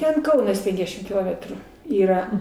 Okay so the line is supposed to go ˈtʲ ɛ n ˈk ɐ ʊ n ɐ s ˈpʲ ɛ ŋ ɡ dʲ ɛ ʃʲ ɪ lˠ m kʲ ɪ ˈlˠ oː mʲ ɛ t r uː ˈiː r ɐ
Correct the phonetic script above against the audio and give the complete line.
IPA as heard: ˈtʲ ɛ n ˈk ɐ ʊ n ɐ s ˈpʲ ɛ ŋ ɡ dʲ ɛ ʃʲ ɪ m kʲ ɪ ˈlˠ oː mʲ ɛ t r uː ˈiː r ɐ